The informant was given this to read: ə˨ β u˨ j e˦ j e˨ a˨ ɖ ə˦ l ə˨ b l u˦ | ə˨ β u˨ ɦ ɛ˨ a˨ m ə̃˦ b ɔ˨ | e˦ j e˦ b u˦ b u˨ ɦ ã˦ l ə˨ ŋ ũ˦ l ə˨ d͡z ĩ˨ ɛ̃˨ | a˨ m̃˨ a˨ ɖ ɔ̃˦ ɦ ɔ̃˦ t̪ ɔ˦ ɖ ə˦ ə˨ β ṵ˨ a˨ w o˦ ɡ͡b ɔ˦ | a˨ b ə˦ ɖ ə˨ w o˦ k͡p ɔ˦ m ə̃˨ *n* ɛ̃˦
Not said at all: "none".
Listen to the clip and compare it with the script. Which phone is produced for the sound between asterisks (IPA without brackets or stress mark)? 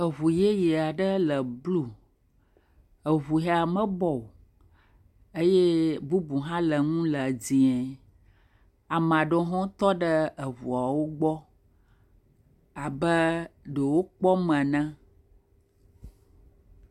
n